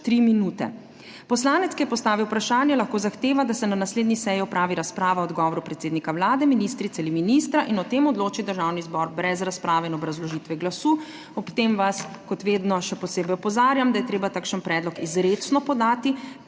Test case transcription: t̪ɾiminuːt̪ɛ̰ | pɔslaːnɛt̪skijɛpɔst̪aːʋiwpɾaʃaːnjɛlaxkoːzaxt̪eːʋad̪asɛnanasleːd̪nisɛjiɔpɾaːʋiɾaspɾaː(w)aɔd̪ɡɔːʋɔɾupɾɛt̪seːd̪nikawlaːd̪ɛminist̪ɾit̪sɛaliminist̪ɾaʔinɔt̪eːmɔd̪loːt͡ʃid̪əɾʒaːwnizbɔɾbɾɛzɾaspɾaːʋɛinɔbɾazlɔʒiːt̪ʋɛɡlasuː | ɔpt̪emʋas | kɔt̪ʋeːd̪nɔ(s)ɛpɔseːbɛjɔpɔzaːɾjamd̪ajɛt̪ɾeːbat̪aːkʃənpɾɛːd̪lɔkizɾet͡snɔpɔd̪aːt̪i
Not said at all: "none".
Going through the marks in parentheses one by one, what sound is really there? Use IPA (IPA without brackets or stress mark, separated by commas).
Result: ʋ, ʃ